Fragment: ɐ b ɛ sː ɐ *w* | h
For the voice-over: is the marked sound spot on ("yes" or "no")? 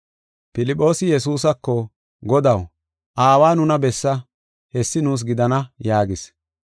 no